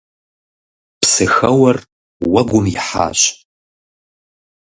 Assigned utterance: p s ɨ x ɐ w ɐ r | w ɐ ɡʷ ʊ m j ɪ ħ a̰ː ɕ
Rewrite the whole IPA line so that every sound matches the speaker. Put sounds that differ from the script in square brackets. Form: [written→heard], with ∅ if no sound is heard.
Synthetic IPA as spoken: p s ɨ x ɐ w ɐ r | w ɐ ɡʷ ʊ m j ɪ ħ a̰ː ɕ

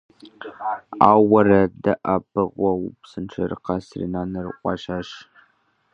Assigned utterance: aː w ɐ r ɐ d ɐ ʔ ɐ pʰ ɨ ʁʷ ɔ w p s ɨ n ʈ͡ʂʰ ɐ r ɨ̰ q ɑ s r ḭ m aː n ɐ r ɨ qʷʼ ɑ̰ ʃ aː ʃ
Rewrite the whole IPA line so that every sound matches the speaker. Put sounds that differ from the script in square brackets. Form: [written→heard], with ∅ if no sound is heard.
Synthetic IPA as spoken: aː w ɐ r ɐ d ɐ ʔ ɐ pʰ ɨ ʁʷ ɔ w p s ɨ n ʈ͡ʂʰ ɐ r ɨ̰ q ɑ s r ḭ [m→n] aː n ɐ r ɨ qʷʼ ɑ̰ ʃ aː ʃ

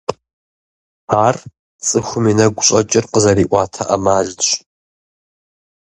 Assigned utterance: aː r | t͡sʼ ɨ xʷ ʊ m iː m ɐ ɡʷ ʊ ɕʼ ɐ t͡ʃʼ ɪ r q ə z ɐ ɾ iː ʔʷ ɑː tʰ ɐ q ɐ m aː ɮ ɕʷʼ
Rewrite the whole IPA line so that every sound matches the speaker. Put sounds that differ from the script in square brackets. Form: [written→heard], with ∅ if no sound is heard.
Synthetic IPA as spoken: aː r | t͡sʼ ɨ xʷ ʊ m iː [m→n] ɐ ɡʷ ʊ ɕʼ ɐ t͡ʃʼ ɪ r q ə z ɐ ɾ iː ʔʷ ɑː tʰ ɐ [q→ʔ] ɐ m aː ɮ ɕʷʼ

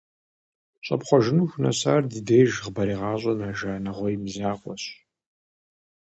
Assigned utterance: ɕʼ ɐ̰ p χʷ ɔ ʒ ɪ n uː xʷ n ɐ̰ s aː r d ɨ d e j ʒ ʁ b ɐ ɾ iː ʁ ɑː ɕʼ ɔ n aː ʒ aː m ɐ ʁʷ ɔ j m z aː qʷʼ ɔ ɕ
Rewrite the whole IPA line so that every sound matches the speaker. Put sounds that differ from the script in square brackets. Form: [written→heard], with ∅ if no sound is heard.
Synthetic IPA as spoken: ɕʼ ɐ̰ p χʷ ɔ ʒ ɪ n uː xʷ n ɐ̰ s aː r d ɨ d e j ʒ ʁ b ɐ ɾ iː ʁ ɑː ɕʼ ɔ n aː ʒ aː [m→n] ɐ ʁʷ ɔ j m z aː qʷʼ ɔ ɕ

